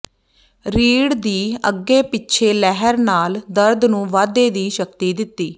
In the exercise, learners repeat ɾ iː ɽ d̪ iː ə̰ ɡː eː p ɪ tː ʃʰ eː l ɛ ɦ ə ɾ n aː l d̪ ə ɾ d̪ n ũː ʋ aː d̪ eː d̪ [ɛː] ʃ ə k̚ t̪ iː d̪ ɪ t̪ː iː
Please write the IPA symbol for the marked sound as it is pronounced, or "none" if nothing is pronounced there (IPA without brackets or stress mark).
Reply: iː